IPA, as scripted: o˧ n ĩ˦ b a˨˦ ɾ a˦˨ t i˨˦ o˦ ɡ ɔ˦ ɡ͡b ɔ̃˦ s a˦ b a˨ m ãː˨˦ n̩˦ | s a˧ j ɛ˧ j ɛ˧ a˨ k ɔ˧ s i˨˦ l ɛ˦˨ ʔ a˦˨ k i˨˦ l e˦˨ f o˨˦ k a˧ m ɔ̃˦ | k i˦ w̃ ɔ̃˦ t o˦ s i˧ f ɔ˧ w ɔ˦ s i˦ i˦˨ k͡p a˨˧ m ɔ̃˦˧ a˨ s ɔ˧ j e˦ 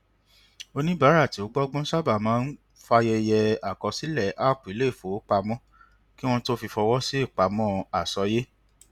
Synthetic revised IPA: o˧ n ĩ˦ b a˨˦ ɾ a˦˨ t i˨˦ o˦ ɡ͡b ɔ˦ ɡ͡b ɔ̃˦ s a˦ b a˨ m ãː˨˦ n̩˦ | f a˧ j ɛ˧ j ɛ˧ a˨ k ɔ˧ s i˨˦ l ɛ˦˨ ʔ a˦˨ k͡p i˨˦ l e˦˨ f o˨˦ k͡p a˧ m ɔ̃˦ | k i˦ w̃ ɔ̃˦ t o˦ f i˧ f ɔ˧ w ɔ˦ s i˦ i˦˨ k͡p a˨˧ m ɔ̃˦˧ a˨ s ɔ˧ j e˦